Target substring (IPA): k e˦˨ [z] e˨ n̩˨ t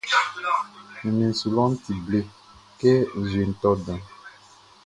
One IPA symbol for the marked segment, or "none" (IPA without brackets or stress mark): z